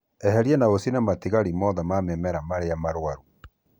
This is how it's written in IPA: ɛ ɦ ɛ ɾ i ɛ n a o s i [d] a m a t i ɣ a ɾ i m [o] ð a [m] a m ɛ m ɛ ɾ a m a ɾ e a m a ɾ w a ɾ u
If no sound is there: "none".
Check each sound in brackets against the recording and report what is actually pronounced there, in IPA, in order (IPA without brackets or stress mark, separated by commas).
n, ɔ, m